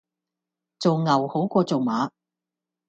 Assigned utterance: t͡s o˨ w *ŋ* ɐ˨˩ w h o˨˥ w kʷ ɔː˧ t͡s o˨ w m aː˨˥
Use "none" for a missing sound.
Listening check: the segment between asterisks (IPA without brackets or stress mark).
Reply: ŋ